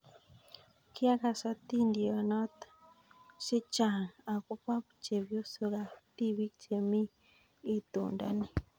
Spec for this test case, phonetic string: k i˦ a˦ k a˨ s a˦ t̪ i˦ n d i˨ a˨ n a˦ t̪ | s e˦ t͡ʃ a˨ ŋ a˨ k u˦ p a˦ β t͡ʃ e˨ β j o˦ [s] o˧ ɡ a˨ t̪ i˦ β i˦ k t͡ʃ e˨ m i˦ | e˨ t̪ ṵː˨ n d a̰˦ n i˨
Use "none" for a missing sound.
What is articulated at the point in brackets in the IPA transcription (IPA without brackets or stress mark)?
s